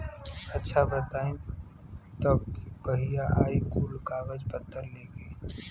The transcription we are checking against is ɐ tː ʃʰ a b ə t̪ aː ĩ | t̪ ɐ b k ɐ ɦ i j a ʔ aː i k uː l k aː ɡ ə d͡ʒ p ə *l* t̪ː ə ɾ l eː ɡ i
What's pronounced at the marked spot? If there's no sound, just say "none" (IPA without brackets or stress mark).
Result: none